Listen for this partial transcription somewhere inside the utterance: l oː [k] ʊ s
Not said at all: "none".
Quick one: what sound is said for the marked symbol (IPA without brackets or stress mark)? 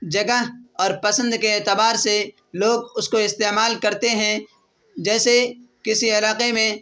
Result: ɡ